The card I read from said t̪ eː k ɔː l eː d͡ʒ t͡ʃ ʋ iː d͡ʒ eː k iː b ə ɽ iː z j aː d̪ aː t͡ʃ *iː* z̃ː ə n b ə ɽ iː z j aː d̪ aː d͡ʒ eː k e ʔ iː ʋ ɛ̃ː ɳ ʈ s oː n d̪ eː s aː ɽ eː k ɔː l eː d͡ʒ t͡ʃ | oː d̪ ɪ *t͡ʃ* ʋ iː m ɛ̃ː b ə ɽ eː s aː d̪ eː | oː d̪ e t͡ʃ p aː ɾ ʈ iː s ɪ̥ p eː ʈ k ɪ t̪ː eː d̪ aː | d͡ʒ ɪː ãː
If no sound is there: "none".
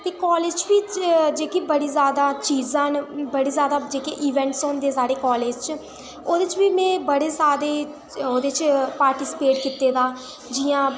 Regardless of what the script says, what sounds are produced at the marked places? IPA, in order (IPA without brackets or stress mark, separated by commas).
iː, t͡ʃ